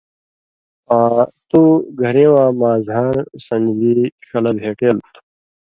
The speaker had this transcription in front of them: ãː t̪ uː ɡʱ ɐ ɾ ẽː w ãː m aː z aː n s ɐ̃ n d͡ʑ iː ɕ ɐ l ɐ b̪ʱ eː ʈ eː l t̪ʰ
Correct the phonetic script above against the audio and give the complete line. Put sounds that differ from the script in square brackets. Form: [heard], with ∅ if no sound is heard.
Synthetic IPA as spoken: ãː t̪ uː ɡʱ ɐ ɾ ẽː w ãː m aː z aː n s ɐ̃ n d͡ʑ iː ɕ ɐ l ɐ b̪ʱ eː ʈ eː l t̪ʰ